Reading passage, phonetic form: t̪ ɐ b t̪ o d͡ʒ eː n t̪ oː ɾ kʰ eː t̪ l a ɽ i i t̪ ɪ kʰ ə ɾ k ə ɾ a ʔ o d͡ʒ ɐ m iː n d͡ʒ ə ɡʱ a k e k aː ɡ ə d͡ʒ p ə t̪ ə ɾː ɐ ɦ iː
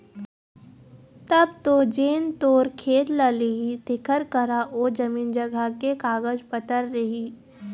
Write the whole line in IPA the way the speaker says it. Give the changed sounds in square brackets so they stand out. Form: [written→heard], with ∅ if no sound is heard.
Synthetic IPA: t̪ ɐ b t̪ o d͡ʒ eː n t̪ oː ɾ kʰ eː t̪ l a [ɽ→l] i i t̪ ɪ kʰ ə ɾ k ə ɾ a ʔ o d͡ʒ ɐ m iː n d͡ʒ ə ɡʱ a k e k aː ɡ ə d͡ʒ p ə t̪ ə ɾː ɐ ɦ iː